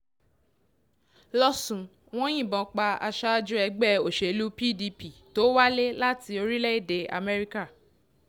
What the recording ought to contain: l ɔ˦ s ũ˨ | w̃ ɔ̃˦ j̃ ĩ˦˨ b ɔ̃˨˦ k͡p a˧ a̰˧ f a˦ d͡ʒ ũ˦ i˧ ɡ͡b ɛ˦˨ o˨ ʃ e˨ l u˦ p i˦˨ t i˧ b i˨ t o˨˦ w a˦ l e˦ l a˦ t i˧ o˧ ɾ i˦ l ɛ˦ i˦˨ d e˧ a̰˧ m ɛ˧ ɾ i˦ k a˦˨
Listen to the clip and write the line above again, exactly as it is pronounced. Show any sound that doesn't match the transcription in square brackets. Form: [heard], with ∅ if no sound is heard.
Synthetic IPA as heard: l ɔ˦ s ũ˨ | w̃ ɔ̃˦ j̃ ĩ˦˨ b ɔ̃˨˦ k͡p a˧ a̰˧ [ʃ] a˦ d͡ʒ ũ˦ [ɛ˧] ɡ͡b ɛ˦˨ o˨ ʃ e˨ l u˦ p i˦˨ [d] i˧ [p] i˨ t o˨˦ w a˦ l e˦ l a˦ t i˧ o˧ ɾ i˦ l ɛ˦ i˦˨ d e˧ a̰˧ m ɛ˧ ɾ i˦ k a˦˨